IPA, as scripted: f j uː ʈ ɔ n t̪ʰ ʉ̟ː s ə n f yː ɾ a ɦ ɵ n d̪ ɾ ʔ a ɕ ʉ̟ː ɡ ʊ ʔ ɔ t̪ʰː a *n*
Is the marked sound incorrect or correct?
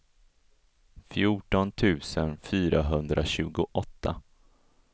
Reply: incorrect: none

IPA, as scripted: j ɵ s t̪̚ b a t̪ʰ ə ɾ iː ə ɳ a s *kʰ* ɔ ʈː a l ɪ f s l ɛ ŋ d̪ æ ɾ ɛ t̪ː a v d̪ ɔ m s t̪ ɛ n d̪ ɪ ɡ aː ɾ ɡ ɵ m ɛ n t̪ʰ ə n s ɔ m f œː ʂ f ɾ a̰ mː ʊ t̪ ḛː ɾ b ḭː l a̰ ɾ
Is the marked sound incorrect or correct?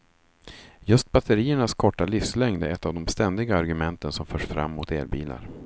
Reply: correct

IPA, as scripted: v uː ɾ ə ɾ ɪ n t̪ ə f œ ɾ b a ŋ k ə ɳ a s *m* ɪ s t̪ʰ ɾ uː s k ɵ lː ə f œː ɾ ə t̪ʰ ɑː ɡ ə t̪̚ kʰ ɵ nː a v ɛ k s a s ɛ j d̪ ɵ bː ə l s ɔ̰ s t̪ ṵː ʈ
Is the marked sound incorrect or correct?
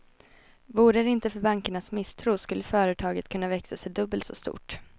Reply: correct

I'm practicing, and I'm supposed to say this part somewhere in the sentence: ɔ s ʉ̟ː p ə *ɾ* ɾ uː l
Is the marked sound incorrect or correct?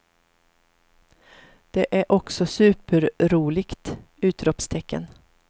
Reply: correct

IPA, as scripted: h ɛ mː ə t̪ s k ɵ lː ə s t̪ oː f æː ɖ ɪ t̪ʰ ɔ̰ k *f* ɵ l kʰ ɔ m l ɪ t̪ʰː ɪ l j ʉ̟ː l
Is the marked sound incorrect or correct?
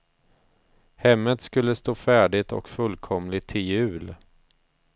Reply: correct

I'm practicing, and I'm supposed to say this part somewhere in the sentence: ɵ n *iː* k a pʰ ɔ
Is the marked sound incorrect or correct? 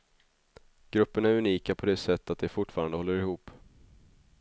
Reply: correct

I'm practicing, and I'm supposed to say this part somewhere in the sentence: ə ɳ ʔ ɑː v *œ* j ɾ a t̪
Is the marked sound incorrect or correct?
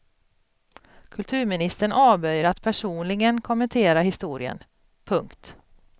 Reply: correct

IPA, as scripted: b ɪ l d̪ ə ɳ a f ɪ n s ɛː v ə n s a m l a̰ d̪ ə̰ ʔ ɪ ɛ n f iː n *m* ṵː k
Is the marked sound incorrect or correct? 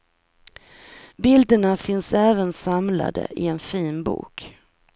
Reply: incorrect: b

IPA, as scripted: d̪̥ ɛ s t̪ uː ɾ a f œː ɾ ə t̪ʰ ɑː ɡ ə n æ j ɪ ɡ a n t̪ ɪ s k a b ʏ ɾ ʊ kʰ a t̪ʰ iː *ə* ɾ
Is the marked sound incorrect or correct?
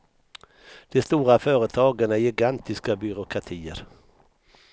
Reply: correct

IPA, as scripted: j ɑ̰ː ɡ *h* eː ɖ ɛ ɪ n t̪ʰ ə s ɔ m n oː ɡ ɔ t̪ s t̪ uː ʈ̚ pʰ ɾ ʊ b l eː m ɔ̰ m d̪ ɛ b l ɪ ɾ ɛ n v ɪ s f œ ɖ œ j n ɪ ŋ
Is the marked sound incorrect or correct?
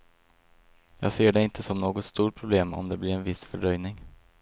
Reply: incorrect: s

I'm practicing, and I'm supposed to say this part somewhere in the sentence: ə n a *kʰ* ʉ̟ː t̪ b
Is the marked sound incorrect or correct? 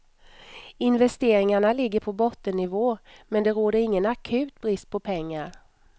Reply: correct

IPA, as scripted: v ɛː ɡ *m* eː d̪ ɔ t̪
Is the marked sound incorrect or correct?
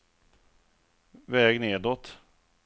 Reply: incorrect: n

